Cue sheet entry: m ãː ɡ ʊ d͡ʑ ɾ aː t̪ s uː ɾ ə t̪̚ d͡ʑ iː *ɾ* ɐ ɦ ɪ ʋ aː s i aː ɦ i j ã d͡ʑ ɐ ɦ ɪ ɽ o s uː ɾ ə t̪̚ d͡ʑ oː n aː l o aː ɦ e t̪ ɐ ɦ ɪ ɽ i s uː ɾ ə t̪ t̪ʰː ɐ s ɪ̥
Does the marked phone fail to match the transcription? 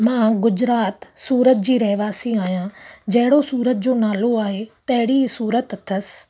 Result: no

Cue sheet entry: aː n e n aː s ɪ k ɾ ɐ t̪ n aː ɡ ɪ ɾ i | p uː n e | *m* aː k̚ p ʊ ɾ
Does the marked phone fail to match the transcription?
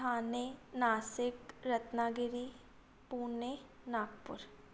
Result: yes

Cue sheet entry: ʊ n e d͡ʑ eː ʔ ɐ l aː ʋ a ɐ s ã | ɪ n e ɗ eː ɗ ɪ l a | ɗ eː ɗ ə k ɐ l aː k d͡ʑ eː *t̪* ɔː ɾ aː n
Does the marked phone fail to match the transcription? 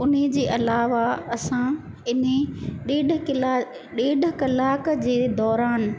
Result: yes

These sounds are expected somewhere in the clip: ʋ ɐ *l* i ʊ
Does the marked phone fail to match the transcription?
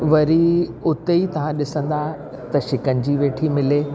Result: yes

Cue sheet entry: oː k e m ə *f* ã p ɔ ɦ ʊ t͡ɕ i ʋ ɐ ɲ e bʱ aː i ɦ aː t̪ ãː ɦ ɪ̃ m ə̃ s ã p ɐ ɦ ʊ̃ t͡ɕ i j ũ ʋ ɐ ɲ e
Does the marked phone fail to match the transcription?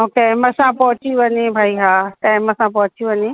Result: yes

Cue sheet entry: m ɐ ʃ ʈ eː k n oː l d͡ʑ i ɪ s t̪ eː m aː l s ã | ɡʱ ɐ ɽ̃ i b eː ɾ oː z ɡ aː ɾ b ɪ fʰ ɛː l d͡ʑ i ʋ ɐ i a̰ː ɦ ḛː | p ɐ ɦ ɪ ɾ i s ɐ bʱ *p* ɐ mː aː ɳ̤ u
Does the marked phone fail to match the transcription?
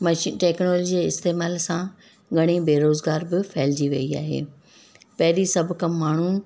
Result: yes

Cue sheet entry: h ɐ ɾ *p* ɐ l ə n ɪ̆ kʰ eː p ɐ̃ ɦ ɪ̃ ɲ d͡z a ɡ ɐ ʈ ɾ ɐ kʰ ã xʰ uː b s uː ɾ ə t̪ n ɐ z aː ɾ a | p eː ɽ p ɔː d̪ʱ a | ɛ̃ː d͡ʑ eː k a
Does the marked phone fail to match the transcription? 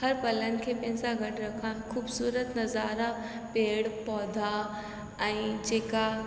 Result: no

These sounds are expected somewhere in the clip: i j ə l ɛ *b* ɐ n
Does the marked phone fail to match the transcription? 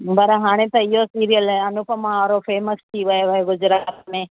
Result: yes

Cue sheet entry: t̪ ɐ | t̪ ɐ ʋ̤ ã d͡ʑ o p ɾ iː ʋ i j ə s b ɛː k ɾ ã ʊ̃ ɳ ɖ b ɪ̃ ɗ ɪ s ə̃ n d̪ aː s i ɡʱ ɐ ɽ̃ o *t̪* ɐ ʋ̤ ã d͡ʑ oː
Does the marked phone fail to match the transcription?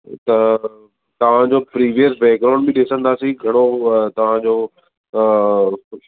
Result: no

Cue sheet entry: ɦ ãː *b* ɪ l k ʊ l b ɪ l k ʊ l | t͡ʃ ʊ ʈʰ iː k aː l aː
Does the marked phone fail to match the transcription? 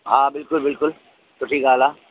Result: no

